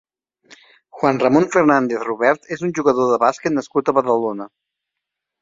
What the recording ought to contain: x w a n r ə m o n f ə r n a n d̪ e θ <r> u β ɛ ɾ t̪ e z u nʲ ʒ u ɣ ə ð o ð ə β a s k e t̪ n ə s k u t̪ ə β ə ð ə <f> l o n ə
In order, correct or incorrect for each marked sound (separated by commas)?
correct, incorrect